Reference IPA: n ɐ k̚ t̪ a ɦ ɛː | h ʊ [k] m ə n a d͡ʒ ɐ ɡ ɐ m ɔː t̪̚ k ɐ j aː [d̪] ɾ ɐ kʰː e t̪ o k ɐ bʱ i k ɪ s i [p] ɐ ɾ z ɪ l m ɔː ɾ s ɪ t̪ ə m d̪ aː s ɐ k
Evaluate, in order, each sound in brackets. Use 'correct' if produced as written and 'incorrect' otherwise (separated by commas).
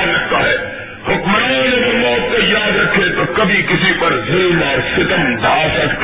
correct, correct, correct